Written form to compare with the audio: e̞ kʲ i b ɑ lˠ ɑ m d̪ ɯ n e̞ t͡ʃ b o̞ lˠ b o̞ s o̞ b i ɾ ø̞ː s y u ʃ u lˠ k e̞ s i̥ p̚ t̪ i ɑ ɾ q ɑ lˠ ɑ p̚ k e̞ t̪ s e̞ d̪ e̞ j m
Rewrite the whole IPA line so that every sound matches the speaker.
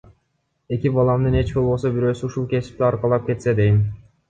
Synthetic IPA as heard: e̞ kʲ i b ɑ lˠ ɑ m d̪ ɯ n e̞ t͡ʃ b o̞ lˠ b o̞ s o̞ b i ɾ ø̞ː s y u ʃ u lˠ k e̞ s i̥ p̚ t̪ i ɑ ɾ q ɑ lˠ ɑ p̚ k e̞ t̪ s e̞ d̪ e̞ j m